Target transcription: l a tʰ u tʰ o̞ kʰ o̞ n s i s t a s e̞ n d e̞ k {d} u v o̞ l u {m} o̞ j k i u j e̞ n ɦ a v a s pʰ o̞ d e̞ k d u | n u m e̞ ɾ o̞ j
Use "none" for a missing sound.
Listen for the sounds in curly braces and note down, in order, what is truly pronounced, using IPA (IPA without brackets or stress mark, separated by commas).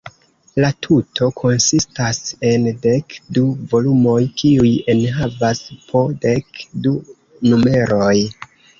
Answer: d, m